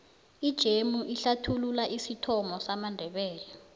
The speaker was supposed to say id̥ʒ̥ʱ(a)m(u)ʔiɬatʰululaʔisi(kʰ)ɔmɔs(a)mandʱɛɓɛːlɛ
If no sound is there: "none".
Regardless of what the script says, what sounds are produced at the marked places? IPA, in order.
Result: e, u, tʰ, a

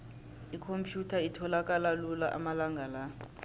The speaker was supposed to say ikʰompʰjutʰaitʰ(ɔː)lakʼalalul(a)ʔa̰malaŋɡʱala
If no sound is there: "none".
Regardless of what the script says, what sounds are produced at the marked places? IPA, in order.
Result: ɔ, a

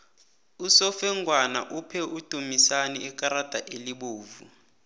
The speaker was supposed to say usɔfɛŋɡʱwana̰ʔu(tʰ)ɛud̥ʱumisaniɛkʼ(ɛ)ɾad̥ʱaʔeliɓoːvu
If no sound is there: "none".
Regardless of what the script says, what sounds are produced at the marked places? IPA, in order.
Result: pʰ, a

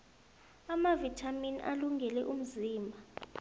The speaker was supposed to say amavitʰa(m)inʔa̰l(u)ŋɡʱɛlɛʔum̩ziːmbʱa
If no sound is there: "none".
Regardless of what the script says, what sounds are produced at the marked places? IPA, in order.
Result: m, u

